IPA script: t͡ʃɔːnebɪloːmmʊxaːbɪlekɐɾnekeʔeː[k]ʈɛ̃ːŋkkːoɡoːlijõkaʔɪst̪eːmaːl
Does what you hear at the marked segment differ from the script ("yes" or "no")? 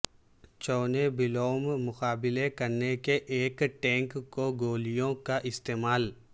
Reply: no